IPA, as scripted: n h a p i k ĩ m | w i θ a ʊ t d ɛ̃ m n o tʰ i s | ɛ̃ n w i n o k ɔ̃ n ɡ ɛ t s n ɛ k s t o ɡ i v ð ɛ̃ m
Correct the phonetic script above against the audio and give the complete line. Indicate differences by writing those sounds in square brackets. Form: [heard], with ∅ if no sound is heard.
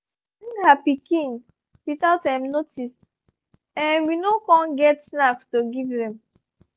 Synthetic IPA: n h a p i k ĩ [ŋ] | w i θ a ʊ t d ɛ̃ m n o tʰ i s | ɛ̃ n w i n o k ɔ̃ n ɡ ɛ t s n [a] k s t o ɡ i v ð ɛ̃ m